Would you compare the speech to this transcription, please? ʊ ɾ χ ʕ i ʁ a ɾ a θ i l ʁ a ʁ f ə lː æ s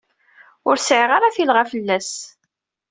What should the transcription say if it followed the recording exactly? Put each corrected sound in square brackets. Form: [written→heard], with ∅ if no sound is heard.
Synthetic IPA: ʊ ɾ [χ→s] ʕ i ʁ a ɾ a θ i l ʁ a [ʁ→∅] f ə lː æ s